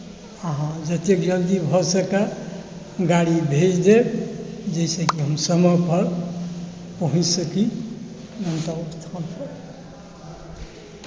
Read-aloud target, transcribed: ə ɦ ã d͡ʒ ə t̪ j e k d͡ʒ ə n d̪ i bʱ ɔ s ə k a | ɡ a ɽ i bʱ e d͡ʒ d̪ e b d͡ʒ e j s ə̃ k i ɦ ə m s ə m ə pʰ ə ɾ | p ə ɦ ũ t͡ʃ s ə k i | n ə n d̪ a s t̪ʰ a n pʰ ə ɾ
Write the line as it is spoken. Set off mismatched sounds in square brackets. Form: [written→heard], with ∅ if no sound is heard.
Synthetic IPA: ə ɦ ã d͡ʒ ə t̪ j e k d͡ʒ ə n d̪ i bʱ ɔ s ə k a | ɡ a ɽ i bʱ e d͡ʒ d̪ e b d͡ʒ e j s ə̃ k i ɦ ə m s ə m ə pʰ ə ɾ | p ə ɦ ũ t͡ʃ s ə k i | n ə n [d̪→t̪] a s t̪ʰ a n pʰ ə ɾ